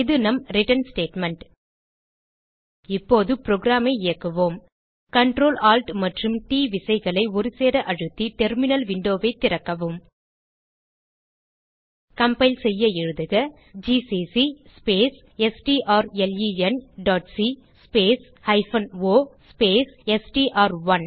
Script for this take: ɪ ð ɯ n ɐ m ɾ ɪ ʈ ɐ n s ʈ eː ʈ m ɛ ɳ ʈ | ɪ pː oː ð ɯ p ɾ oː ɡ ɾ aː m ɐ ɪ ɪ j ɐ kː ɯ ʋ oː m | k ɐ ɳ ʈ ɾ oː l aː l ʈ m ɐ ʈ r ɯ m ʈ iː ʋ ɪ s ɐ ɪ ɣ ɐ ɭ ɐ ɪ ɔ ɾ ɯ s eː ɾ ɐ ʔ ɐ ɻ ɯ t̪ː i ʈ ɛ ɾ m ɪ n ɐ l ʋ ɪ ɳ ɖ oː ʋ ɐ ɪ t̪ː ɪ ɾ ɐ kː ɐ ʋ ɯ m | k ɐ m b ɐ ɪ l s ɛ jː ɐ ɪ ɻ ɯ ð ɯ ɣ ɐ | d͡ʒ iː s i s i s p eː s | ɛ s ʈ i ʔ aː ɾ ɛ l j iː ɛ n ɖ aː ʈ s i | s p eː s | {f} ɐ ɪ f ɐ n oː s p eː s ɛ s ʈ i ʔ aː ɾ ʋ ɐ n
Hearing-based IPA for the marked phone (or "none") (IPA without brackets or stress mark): h